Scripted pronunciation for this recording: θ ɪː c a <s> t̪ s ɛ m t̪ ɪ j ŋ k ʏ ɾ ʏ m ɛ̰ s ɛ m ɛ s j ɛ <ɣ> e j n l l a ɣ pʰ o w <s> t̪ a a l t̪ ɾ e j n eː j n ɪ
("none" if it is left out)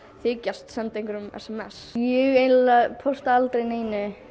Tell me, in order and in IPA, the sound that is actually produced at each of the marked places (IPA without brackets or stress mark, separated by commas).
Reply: s, ɣ, s